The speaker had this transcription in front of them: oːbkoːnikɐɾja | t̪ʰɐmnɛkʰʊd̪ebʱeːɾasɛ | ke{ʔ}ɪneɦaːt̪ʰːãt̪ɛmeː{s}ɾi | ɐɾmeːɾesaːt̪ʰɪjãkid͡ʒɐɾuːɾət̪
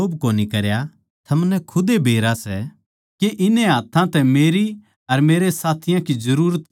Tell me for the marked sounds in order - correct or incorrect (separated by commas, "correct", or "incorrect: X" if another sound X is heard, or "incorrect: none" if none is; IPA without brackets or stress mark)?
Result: correct, incorrect: none